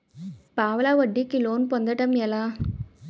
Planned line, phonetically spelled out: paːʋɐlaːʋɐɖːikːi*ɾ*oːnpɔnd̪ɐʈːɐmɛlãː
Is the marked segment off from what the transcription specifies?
yes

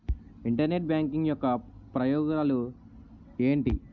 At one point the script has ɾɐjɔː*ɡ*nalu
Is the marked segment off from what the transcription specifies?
no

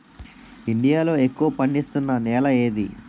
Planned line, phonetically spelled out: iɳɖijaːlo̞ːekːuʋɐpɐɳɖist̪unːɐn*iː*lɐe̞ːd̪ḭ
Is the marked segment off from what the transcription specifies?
yes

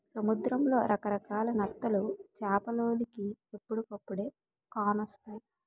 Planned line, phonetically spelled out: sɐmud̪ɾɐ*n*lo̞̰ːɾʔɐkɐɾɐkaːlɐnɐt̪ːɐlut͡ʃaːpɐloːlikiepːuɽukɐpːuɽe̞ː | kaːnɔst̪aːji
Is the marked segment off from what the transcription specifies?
yes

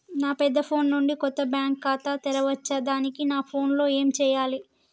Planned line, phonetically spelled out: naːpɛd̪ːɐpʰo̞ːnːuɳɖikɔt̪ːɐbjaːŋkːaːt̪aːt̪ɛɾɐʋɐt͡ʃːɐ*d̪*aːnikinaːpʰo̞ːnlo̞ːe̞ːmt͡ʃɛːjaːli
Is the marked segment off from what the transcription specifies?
no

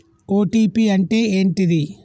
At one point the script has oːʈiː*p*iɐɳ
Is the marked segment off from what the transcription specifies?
no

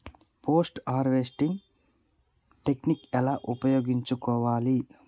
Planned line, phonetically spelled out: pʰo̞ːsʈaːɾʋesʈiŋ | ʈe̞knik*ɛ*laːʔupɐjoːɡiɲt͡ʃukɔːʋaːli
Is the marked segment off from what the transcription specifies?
no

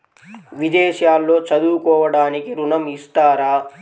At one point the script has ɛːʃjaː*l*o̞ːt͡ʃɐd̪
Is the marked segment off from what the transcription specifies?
yes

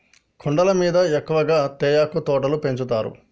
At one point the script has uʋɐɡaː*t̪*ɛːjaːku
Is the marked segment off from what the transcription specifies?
no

